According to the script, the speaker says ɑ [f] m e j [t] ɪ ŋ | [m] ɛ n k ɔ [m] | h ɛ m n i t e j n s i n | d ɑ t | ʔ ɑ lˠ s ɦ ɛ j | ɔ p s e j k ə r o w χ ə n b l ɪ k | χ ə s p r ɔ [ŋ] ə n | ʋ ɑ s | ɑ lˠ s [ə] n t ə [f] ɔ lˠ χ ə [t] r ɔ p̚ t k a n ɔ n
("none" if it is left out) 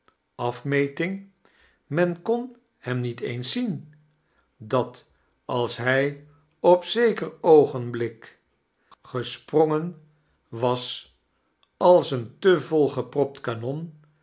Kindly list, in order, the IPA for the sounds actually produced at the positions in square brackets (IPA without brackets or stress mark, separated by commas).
f, t, m, n, ŋ, ə, v, p